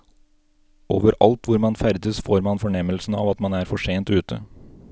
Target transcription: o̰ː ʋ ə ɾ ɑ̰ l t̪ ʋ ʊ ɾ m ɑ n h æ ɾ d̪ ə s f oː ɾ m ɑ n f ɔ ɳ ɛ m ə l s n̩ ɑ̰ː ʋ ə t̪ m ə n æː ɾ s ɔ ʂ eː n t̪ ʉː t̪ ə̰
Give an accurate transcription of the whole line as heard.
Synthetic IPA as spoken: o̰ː ʋ ə ɾ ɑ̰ l t̪ ʋ ʊ ɾ m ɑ n f æ ɾ d̪ ə s f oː ɾ m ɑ n f ɔ ɳ ɛ m ə l s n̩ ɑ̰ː ʋ ɑ t̪ m ɑ n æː ɾ f ɔ ʂ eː n t̪ ʉː t̪ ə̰